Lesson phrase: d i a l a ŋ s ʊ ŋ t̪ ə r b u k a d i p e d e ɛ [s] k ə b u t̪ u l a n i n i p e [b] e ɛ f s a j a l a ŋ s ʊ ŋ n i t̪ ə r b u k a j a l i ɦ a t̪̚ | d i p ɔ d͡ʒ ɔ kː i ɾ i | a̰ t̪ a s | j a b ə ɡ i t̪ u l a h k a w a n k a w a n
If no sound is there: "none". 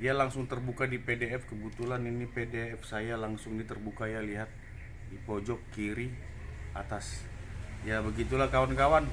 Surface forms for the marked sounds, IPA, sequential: f, d

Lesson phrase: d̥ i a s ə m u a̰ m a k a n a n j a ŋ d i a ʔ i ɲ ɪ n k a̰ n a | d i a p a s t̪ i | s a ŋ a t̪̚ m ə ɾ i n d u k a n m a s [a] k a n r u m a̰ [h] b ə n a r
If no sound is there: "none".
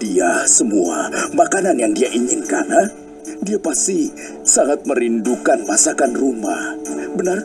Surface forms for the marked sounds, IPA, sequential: a, h

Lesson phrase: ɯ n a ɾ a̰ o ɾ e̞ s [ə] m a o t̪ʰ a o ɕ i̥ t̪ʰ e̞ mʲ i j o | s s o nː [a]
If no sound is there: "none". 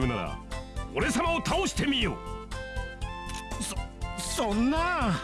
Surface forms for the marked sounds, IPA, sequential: a, a

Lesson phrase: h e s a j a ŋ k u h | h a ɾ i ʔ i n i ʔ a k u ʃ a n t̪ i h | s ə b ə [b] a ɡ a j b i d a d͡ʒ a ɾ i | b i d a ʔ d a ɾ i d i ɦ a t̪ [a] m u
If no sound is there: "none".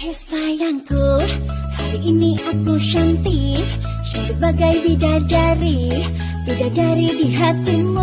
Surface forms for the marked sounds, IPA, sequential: b, i

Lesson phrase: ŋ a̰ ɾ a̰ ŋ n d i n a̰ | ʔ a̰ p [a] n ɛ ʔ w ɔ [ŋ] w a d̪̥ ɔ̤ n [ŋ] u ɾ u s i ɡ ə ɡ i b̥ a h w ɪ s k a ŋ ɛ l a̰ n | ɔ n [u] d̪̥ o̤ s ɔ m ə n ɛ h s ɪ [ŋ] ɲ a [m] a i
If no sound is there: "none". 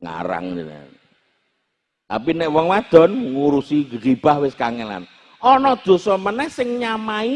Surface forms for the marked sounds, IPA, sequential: i, ŋ, ŋ, ɔ, ŋ, m

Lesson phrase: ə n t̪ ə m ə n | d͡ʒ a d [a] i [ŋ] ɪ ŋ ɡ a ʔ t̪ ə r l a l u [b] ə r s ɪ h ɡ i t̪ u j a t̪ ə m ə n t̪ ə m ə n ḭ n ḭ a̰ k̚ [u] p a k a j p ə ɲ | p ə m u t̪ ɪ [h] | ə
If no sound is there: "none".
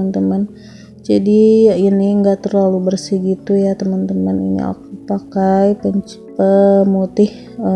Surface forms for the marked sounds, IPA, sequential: i, n, b, u, h

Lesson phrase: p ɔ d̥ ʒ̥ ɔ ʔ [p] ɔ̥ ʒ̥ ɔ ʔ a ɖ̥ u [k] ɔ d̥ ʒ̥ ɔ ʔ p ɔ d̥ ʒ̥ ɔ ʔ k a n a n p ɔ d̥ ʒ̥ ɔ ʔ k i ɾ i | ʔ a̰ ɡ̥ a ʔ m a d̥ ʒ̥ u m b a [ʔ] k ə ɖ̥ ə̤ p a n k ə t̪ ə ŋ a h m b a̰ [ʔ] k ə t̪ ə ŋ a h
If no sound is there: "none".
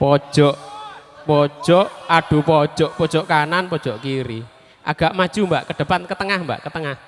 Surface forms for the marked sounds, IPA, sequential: p, p, ʔ, ʔ

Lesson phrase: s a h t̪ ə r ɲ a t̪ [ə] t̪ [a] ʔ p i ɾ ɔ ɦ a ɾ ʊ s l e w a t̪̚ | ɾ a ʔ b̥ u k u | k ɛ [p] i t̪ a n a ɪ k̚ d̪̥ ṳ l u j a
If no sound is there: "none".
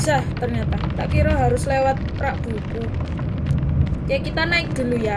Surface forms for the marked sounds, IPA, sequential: a, a, k

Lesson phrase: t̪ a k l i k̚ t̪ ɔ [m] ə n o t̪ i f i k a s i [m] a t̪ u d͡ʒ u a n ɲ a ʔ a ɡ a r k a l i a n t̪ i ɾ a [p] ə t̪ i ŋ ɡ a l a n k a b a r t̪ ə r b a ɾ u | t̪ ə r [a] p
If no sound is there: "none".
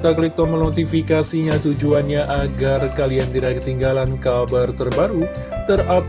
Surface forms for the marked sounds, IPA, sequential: m, ɲ, k, a

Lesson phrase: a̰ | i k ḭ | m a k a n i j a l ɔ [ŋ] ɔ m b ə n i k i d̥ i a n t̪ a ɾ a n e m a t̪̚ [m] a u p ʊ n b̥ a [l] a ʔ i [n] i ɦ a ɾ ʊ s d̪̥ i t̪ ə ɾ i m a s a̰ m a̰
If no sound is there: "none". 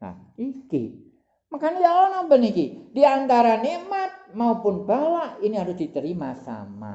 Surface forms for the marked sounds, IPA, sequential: n, m, l, n

